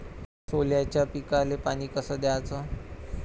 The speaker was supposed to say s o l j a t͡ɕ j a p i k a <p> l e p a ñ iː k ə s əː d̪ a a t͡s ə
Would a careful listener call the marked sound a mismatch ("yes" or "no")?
yes